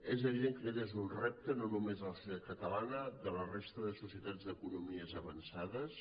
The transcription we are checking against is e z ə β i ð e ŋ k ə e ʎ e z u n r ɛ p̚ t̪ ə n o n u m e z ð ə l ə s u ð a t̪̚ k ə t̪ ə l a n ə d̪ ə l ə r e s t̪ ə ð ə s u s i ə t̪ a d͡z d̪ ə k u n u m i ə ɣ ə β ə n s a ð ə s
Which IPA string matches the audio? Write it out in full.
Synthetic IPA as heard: e z ə β i ð e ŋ k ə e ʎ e z u n r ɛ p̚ t̪ ə n o n u m e z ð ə l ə s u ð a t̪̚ k ə t̪ ə l a n ə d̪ ə l ə r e s t̪ ə ð ə s u s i ə t̪ a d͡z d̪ ə k u n u m i ə z ə β ə n s a ð ə s